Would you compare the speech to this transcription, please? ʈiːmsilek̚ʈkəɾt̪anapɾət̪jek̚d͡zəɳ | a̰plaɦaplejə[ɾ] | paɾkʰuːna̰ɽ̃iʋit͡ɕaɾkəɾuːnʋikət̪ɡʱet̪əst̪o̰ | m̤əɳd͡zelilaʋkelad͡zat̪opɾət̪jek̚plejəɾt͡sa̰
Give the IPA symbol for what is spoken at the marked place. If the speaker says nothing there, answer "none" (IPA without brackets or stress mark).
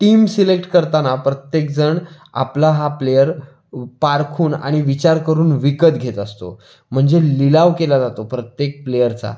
ɾ